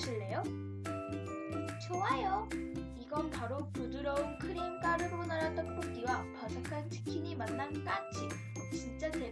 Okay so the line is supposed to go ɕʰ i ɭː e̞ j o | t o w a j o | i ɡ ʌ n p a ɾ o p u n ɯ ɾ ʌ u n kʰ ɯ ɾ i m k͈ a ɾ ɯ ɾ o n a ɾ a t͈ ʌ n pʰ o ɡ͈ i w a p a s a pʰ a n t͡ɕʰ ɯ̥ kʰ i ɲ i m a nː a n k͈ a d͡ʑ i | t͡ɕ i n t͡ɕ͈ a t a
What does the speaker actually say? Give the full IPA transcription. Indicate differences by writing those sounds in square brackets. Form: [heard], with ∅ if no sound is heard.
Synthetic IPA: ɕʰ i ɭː e̞ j o | [t͡ɕ] o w a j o | i ɡ ʌ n p a ɾ o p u [d] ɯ ɾ ʌ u n kʰ ɯ ɾ i m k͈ a ɾ ɯ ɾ o n a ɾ a t͈ ʌ n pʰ o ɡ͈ i w a p a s a [kʰ] a n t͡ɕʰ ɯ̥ kʰ i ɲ i m a nː a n k͈ a d͡ʑ i | t͡ɕ i n t͡ɕ͈ a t [e]

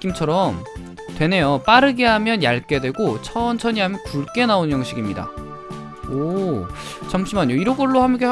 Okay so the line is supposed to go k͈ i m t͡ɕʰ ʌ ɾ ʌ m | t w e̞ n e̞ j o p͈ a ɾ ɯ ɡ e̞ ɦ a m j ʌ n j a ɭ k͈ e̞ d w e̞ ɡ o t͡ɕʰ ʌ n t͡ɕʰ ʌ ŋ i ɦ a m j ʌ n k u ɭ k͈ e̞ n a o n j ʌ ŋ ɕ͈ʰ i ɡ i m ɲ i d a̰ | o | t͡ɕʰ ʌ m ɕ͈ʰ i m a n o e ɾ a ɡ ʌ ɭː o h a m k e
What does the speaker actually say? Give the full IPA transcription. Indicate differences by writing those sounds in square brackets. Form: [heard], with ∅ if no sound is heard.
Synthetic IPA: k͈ i m t͡ɕʰ ʌ ɾ ʌ m | t w e̞ n e̞ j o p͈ a ɾ ɯ ɡ e̞ ɦ a m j ʌ n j a ɭ k͈ e̞ d w e̞ ɡ o t͡ɕʰ ʌ n t͡ɕʰ ʌ [ɲ] i ɦ a m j ʌ n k u ɭ k͈ e̞ n a o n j ʌ ŋ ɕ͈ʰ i ɡ i m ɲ i d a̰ | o | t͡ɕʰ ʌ m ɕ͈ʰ i m a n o [i] ɾ [ʌ] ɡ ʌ ɭː o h a m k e

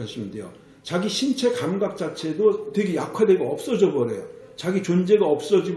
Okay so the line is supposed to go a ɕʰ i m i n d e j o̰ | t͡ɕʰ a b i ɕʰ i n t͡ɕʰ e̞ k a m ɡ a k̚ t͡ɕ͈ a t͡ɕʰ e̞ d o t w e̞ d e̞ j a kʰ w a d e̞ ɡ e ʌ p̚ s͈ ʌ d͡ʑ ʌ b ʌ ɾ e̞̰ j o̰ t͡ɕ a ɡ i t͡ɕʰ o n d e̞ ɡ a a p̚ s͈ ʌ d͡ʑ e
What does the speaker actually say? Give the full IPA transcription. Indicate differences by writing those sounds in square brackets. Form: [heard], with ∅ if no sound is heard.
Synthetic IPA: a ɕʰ i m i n d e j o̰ | [t͡ɕ] a [ɡ] i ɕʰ i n t͡ɕʰ e̞ k a m ɡ a k̚ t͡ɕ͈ a t͡ɕʰ e̞ d o t w e̞ [ɡ] e̞ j a kʰ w a d e̞ ɡ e ʌ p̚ s͈ ʌ d͡ʑ ʌ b ʌ ɾ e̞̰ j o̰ t͡ɕ a ɡ i [t͡ɕ] o n [d͡ʑ] e̞ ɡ a [ʌ] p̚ s͈ ʌ d͡ʑ [i]

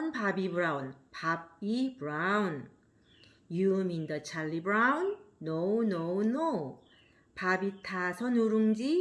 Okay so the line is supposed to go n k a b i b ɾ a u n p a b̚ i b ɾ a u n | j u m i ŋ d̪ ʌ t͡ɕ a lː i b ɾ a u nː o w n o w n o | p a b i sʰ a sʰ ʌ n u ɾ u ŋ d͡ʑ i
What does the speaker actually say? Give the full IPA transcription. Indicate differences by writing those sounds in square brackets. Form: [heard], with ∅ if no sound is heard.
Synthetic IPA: n [p] a b i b ɾ a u n p a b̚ i b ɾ a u n | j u m i [n] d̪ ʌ [t͡ɕʰ] a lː i b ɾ a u nː o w n o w n o | p a b i [tʰ] a sʰ ʌ n u ɾ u ŋ d͡ʑ i

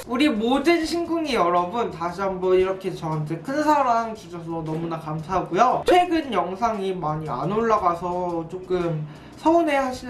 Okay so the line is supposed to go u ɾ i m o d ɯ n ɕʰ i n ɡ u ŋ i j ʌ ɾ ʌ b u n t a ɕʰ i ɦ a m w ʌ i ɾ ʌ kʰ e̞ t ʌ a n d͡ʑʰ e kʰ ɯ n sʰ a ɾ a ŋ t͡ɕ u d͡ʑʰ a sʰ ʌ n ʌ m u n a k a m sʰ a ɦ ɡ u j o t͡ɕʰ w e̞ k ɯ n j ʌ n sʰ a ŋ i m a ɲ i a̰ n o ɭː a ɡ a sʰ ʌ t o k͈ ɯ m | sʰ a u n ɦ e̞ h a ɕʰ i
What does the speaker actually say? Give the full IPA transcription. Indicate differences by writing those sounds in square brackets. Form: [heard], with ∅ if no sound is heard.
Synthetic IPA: u ɾ i m o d ɯ n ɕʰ i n ɡ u ŋ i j ʌ ɾ ʌ b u n t a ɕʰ i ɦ a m [b] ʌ i ɾ ʌ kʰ e̞ [t͡ɕ] ʌ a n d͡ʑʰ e kʰ ɯ n sʰ a ɾ a ŋ t͡ɕ u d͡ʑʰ [ʌ] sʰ ʌ n ʌ m u n a k a m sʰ a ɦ ɡ u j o t͡ɕʰ w e̞ [ɡ] ɯ n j ʌ [ŋ] sʰ a ŋ i m a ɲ i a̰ n o ɭː a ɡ a sʰ ʌ [t͡ɕ] o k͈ ɯ m | sʰ [ʌ] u n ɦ e̞ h a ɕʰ i

